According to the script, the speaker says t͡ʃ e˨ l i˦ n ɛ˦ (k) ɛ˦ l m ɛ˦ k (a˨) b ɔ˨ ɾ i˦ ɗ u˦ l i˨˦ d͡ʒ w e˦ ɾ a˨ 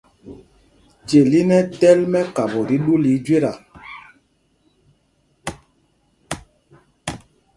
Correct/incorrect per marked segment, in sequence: incorrect, correct

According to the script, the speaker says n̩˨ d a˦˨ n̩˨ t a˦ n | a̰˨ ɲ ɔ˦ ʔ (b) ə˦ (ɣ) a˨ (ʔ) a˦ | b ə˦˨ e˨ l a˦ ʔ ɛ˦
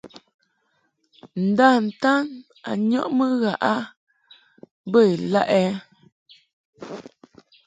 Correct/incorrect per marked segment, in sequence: incorrect, correct, correct

